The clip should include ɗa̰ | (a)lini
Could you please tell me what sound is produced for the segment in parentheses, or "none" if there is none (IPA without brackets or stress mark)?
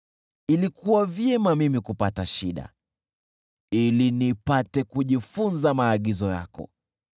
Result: i